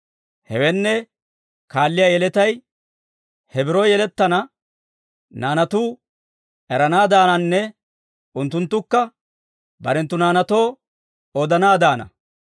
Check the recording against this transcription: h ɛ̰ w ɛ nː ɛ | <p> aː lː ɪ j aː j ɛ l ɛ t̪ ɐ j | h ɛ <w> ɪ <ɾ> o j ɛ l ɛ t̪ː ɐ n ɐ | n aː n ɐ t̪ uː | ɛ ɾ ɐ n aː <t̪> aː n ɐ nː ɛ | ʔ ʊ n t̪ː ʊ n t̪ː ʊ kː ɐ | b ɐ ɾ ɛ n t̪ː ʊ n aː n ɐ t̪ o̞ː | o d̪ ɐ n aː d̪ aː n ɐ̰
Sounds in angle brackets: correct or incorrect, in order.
incorrect: k, incorrect: b, correct, incorrect: d̪

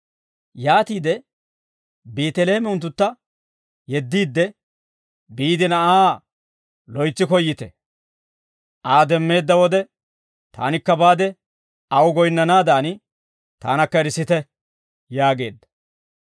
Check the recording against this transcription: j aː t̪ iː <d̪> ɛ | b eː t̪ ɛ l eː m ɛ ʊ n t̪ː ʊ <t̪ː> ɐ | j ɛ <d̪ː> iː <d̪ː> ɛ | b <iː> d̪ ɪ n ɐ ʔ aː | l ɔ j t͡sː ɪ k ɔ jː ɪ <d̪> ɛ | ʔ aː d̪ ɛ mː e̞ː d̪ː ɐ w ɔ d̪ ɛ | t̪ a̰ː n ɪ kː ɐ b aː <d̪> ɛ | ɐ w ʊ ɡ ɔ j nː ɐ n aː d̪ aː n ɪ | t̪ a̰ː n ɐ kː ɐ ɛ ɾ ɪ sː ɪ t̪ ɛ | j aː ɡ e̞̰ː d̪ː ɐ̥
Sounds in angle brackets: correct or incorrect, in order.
correct, correct, correct, correct, correct, incorrect: t̪, correct

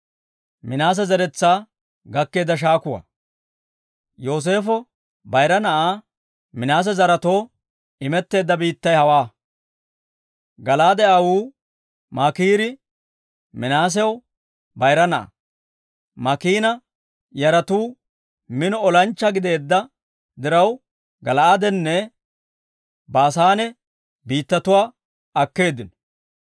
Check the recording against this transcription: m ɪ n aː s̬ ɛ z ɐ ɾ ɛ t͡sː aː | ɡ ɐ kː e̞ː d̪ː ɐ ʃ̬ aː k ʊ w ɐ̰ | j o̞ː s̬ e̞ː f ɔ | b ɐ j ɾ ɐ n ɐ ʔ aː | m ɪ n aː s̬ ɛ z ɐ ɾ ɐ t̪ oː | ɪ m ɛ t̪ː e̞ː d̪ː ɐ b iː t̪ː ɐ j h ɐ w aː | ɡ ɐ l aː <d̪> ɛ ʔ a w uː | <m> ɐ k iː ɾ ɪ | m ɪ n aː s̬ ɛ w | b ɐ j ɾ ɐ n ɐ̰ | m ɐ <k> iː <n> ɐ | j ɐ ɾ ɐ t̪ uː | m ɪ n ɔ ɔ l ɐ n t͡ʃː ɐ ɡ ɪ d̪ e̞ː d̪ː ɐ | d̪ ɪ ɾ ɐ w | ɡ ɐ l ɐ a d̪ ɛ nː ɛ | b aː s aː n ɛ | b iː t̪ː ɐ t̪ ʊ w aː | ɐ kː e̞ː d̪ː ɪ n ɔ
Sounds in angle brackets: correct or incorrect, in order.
correct, correct, correct, correct

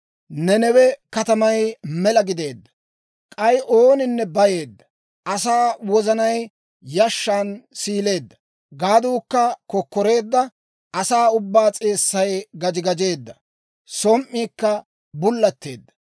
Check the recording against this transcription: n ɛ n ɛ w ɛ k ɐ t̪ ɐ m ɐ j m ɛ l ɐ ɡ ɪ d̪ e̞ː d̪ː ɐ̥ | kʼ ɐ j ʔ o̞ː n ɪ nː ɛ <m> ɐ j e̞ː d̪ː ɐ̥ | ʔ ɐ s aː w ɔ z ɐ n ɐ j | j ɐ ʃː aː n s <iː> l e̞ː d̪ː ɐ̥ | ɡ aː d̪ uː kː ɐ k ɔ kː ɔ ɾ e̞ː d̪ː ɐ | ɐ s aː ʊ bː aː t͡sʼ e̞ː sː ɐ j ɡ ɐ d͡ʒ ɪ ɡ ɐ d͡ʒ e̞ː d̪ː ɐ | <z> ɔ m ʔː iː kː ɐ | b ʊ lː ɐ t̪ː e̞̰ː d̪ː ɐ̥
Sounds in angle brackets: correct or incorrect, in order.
incorrect: b, correct, incorrect: s

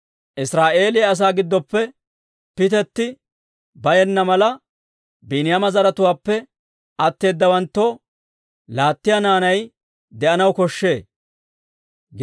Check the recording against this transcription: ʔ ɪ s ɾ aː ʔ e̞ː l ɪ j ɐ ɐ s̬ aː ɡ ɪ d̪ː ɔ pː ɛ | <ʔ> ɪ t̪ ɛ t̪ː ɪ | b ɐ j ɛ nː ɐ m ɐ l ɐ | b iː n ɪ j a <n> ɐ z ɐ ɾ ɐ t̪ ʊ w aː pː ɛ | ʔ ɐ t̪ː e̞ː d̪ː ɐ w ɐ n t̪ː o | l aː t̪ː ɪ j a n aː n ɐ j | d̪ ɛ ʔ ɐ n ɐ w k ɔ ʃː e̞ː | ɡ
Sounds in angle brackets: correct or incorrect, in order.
incorrect: p, incorrect: m

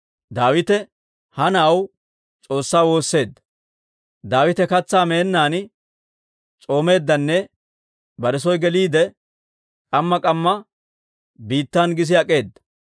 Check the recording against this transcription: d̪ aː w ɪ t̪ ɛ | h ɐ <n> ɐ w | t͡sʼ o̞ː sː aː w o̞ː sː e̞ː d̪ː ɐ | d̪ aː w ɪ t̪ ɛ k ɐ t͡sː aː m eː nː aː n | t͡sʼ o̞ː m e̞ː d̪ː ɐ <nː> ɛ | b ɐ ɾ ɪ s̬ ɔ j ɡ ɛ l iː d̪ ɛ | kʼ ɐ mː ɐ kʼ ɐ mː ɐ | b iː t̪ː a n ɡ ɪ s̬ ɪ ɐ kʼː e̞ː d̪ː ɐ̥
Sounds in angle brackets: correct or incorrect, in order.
correct, correct

